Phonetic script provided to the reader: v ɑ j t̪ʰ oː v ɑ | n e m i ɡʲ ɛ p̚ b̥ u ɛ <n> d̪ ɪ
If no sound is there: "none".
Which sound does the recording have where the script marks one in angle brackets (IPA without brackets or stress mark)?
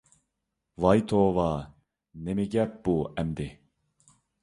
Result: m